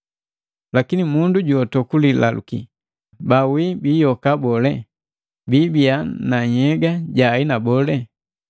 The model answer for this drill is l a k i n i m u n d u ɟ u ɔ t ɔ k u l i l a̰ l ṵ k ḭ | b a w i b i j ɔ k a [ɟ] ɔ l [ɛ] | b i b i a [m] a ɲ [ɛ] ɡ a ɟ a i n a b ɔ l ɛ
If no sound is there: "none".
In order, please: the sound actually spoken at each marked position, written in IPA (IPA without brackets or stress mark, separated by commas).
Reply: b, ɛ, n, ɛ